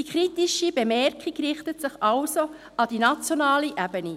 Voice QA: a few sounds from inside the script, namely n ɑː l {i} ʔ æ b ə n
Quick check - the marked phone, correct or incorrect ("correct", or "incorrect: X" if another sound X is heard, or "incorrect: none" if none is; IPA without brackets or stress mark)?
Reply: correct